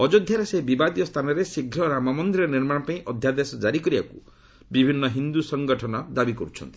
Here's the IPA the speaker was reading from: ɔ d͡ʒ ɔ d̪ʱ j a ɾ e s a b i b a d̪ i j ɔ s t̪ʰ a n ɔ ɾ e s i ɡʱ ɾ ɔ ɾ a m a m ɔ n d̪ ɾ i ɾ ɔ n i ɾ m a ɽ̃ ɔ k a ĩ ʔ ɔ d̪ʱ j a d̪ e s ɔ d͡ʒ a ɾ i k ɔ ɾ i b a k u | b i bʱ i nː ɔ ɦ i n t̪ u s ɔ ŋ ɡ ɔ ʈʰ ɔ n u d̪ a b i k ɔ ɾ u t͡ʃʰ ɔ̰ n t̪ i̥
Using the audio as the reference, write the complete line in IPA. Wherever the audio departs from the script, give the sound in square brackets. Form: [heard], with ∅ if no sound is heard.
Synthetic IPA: ɔ d͡ʒ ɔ d̪ʱ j a ɾ e s [e] b i b a d̪ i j ɔ s t̪ʰ a n ɔ ɾ e s i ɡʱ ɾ ɔ ɾ a m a m ɔ n d̪ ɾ i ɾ ɔ n i ɾ m a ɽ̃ ɔ [p] a ĩ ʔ ɔ d̪ʱ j a d̪ e s ɔ d͡ʒ a ɾ i k ɔ ɾ i b a k u | b i bʱ i nː ɔ ɦ i n [d̪] u s ɔ ŋ ɡ ɔ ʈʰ ɔ n [ɔ] d̪ a b i k ɔ ɾ u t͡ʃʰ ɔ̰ n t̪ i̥

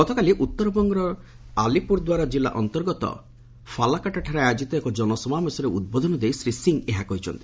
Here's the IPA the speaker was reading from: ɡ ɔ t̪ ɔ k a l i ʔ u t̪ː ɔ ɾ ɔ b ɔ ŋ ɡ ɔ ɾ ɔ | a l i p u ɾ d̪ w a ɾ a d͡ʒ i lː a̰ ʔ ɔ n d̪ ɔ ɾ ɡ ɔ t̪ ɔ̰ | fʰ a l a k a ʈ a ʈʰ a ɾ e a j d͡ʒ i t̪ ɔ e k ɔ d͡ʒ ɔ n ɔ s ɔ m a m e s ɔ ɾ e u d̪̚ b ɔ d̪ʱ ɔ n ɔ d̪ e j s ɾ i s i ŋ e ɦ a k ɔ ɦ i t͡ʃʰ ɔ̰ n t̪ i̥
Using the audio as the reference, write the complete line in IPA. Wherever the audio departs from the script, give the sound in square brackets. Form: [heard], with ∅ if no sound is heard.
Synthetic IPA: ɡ ɔ t̪ ɔ k a l i ʔ u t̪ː ɔ ɾ ɔ b ɔ ŋ ɡ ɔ ɾ ɔ | a l i p u ɾ d̪ w a ɾ a d͡ʒ i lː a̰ ʔ ɔ n [t̪] ɔ ɾ ɡ ɔ t̪ ɔ̰ | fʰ a l a k a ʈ a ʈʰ a ɾ e a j d͡ʒ i t̪ ɔ e k ɔ d͡ʒ ɔ n ɔ s ɔ m a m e s ɔ ɾ e u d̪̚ b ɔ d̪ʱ ɔ n ɔ d̪ e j s ɾ i s i ŋ e ɦ a k ɔ ɦ i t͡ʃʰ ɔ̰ n t̪ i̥

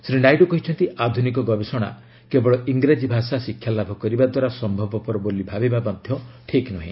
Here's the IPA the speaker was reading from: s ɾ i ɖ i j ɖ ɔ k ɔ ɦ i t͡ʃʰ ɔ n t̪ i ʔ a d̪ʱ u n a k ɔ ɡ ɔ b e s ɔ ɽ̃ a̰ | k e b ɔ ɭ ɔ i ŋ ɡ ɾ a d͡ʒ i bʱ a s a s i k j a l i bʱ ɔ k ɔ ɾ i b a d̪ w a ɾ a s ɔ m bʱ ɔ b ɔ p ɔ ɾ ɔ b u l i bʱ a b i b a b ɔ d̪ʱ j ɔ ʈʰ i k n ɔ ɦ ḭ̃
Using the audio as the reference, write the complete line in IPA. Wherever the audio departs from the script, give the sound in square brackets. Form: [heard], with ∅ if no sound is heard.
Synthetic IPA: s ɾ i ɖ [a] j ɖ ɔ k ɔ ɦ i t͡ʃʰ ɔ n t̪ i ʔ a d̪ʱ u n [i] k ɔ ɡ ɔ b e s ɔ ɽ̃ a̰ | k e b ɔ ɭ ɔ i ŋ ɡ ɾ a d͡ʒ i bʱ a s a s i [kʰ] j a l [a] bʱ ɔ k ɔ ɾ i b a d̪ w a ɾ a s ɔ m bʱ ɔ b ɔ p ɔ ɾ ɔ b [o] l i bʱ a b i b a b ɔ d̪ʱ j ɔ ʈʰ i k n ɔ ɦ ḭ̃

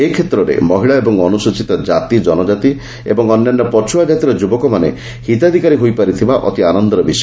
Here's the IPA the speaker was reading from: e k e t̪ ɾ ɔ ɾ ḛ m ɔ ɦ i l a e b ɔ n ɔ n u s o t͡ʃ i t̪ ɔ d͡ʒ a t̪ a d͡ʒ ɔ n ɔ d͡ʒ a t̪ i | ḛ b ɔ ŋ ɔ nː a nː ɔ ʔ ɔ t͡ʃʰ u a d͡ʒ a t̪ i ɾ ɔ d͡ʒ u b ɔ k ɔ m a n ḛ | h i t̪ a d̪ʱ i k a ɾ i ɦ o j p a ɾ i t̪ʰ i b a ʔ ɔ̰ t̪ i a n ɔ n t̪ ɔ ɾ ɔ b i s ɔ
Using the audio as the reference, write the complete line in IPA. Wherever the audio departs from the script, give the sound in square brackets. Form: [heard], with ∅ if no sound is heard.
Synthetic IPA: e [kʰ] e t̪ ɾ ɔ ɾ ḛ m ɔ ɦ i [ɭ] a e b ɔ [ŋ] ɔ n u s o t͡ʃ i t̪ ɔ d͡ʒ a t̪ [i] d͡ʒ ɔ n ɔ d͡ʒ a t̪ i | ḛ b ɔ ŋ ɔ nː a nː ɔ [p] ɔ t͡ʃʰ u a d͡ʒ a t̪ i ɾ ɔ d͡ʒ u b ɔ k ɔ m a n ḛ | h i t̪ a d̪ʱ i k a ɾ i ɦ o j p a ɾ i t̪ʰ i b a ʔ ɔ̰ t̪ i a n ɔ n [d̪] ɔ ɾ ɔ b i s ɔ

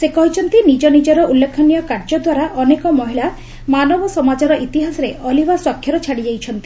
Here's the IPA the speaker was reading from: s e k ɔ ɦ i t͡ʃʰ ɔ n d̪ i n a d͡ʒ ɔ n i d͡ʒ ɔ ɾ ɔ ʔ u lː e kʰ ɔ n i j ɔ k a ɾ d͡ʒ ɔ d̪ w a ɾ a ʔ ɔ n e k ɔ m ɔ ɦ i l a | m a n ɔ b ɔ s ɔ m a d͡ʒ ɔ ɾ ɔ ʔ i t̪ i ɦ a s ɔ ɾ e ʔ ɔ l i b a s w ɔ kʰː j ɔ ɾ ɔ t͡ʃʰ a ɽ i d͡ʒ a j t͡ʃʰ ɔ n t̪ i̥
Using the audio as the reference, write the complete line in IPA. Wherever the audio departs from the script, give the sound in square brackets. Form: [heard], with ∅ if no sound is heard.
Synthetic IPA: s e k ɔ ɦ i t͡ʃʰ ɔ n [t̪] i n [i] d͡ʒ ɔ n i d͡ʒ ɔ ɾ ɔ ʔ u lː e kʰ ɔ n i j ɔ k a ɾ d͡ʒ ɔ d̪ w a ɾ a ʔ ɔ n e k ɔ m ɔ ɦ i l a | m a n ɔ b ɔ s ɔ m a d͡ʒ ɔ ɾ ɔ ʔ i t̪ i ɦ a s ɔ ɾ e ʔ ɔ l i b a s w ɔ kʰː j ɔ ɾ ɔ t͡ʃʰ a ɽ i d͡ʒ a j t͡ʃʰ ɔ n t̪ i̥

